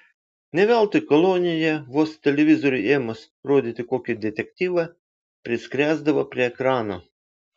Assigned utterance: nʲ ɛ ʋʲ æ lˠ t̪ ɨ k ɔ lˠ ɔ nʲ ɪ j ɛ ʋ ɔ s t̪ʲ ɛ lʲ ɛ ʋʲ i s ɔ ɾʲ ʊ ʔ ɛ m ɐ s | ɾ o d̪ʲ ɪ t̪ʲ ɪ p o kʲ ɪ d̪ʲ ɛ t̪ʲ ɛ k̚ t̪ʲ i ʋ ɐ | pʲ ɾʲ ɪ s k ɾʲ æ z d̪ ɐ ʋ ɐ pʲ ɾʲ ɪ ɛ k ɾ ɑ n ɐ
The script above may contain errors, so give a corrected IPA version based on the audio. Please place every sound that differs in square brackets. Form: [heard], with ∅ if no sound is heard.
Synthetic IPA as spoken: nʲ ɛ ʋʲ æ lˠ t̪ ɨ k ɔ lˠ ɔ nʲ ɪ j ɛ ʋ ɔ s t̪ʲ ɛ lʲ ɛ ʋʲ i [z] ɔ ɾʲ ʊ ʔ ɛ m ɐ s | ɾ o d̪ʲ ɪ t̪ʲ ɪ [k] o kʲ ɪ d̪ʲ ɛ t̪ʲ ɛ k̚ t̪ʲ i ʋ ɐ | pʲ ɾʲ ɪ s k ɾʲ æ z d̪ ɐ ʋ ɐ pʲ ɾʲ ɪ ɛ k ɾ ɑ n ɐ